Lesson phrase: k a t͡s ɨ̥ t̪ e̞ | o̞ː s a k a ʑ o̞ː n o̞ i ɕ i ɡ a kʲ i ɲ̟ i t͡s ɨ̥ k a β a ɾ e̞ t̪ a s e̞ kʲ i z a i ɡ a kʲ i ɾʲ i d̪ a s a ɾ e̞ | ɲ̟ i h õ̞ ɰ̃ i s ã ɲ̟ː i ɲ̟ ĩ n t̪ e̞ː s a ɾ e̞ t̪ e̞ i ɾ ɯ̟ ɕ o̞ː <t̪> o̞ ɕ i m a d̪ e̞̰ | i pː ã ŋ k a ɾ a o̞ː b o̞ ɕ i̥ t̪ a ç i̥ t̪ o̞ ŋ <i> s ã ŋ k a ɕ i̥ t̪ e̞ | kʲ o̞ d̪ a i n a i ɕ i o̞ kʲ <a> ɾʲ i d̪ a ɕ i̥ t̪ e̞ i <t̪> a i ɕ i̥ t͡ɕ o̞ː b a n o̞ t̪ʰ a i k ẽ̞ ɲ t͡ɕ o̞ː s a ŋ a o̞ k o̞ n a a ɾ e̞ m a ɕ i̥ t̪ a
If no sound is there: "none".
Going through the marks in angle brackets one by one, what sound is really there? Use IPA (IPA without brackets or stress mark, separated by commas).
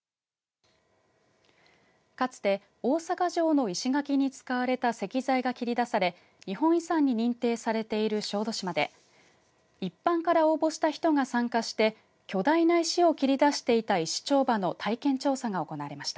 d̪, a, i, t̪